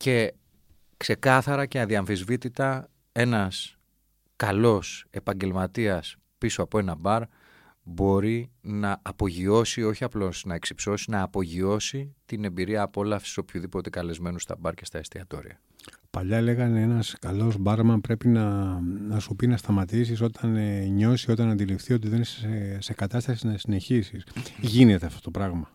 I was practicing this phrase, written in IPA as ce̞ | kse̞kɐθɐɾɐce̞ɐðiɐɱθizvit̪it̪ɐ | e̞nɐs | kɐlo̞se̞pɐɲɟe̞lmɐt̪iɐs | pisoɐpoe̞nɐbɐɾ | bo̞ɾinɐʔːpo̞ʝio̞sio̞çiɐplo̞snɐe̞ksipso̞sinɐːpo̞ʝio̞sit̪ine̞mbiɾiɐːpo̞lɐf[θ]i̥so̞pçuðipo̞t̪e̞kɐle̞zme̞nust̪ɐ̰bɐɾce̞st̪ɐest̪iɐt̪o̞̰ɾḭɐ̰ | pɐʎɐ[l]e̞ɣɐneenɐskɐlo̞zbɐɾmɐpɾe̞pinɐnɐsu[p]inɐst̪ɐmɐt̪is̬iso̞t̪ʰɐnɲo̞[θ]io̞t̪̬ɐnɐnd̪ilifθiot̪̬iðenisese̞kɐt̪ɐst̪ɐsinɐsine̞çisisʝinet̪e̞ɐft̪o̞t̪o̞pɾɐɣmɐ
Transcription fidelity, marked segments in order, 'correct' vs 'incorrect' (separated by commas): incorrect, correct, correct, incorrect